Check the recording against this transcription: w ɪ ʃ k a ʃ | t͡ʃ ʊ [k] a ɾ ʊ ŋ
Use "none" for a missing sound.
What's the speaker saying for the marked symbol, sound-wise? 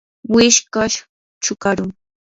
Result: k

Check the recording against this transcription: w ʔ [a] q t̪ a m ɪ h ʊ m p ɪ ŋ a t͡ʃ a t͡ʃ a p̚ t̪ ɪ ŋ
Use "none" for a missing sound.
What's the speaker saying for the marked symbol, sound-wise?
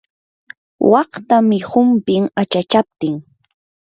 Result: ɑ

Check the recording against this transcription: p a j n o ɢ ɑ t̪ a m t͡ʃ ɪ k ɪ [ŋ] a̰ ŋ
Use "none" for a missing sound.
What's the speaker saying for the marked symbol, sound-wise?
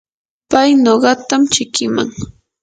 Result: m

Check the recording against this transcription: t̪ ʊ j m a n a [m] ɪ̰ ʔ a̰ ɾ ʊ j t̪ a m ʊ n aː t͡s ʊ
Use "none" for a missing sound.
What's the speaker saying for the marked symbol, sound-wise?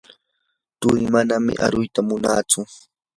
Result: m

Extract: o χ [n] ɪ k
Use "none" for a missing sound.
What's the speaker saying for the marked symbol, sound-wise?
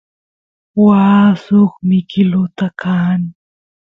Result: m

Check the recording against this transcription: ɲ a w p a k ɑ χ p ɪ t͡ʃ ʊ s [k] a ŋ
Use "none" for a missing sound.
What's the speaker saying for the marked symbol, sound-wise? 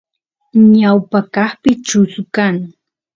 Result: k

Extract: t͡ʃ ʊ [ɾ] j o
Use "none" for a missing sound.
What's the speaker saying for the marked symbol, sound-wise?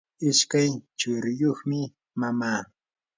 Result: ɾ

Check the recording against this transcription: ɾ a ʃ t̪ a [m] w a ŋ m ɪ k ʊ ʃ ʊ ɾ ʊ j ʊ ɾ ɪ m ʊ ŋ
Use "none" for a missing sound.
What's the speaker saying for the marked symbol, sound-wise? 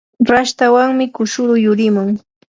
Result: none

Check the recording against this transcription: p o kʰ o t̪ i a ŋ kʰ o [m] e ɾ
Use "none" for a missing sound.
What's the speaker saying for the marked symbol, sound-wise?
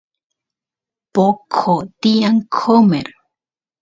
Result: m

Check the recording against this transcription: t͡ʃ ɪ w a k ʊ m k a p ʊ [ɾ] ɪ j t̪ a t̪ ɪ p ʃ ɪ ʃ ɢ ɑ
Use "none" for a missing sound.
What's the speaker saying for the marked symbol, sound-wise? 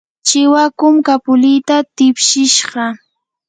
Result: l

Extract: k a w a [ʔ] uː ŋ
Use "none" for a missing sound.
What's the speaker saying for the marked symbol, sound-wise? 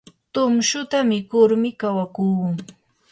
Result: k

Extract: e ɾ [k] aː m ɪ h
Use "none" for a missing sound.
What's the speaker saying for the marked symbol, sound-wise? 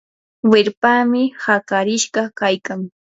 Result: p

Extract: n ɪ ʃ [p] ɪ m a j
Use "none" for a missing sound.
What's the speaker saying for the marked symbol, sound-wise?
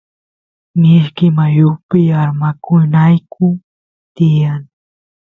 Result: k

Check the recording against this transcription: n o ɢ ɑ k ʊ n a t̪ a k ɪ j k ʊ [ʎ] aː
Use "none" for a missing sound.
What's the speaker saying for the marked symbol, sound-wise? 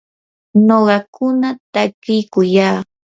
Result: j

